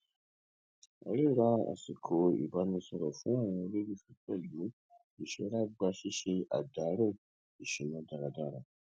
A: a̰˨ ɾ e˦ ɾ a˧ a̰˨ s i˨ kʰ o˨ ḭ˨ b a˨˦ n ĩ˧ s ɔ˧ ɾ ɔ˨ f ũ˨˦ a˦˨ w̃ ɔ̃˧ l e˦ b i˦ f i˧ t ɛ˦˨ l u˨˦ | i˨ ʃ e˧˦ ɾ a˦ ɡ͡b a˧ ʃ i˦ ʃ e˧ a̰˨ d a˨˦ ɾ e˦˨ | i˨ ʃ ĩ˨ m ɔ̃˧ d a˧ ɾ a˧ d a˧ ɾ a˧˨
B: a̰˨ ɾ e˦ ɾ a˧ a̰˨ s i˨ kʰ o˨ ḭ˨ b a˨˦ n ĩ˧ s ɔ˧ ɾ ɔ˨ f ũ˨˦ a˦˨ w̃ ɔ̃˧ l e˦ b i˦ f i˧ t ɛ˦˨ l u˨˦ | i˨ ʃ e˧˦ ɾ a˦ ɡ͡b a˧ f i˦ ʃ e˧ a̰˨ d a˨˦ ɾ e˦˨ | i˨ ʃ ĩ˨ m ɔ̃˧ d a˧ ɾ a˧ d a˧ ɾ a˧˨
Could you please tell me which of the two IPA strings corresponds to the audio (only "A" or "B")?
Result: A